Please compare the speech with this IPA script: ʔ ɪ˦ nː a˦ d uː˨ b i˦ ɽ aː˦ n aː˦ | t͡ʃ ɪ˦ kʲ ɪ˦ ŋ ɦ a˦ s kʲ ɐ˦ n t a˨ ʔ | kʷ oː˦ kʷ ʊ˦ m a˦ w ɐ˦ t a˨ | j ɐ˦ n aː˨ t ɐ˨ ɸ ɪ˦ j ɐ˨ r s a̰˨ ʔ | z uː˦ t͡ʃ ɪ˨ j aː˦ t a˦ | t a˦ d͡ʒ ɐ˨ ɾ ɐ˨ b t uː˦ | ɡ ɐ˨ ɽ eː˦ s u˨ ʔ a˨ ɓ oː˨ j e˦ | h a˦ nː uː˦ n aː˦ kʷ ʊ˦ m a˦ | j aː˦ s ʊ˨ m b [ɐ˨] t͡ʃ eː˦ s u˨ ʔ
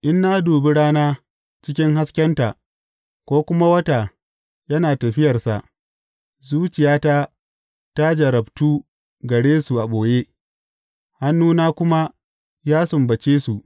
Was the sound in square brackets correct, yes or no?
yes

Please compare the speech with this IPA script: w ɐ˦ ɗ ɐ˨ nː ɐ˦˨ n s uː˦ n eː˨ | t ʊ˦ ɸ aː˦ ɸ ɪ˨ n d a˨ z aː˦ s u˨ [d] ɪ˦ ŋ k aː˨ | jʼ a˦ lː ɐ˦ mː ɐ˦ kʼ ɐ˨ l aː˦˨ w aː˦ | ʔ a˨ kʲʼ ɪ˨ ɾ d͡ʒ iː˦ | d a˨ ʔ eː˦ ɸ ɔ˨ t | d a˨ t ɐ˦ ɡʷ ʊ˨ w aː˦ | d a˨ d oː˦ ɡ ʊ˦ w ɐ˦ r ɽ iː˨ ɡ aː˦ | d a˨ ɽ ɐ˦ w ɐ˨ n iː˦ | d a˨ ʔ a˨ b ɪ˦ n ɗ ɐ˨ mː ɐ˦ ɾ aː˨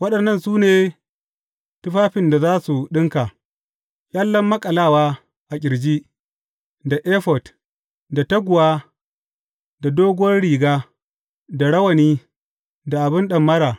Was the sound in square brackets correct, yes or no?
no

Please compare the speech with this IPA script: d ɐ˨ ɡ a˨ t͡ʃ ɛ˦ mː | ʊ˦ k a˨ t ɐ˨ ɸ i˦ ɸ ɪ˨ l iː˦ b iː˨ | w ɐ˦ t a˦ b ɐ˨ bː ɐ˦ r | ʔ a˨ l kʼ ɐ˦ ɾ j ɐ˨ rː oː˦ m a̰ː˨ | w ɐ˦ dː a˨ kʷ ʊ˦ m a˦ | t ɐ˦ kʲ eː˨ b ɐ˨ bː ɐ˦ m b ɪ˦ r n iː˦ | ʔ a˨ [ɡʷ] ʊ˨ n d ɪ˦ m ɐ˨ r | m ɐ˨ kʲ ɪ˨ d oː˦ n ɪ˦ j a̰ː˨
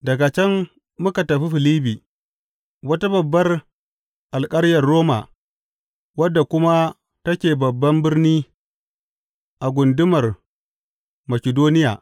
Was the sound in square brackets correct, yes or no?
yes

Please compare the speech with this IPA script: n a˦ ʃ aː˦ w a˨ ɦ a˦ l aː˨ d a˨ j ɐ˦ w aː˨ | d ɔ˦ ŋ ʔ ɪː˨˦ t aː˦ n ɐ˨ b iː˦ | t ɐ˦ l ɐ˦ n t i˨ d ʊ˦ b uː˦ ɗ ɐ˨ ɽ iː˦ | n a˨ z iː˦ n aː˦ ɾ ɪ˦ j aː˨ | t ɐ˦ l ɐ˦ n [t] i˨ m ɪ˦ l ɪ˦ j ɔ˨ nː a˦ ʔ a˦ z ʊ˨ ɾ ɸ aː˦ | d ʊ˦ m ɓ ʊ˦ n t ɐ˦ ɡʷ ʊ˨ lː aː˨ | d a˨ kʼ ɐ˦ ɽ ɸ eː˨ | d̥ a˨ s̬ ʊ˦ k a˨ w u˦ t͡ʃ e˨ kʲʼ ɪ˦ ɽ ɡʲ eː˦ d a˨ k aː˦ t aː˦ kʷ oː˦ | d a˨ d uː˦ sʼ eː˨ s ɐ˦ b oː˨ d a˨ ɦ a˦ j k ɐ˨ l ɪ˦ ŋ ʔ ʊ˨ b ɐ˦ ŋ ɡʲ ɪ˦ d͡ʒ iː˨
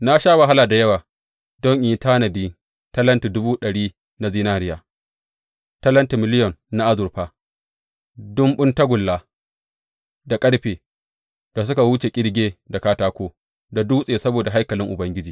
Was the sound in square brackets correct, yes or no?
yes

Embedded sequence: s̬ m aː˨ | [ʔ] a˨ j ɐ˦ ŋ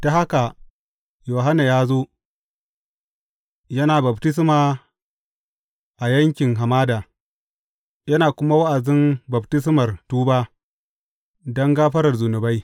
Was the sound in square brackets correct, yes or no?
yes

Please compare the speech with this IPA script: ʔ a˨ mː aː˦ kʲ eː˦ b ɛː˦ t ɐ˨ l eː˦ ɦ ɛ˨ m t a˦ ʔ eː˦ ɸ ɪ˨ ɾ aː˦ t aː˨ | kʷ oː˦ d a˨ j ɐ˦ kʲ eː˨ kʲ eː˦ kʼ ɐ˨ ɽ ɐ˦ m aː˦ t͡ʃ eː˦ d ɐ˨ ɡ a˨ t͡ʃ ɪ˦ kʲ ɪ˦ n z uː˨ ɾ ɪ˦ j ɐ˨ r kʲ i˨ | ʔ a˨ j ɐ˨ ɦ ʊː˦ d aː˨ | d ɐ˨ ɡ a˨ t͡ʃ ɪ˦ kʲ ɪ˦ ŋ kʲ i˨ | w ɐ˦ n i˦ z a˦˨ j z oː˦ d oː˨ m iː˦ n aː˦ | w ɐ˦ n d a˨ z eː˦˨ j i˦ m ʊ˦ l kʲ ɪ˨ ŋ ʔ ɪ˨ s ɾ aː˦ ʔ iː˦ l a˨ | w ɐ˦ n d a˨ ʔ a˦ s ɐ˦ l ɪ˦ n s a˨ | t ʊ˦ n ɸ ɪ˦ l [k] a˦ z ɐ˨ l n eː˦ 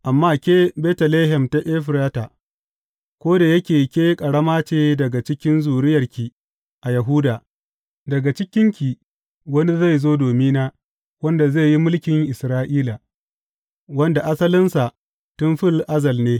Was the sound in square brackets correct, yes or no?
no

